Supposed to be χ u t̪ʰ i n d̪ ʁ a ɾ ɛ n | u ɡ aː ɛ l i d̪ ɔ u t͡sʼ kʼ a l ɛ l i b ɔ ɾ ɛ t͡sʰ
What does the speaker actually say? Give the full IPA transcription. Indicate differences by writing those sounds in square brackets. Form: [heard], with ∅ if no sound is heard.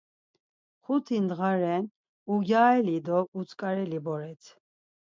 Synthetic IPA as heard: χ u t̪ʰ i n d̪ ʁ a ɾ ɛ n | u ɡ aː ɛ l i d̪ ɔ u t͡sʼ kʼ a [ɾ] ɛ l i b ɔ ɾ ɛ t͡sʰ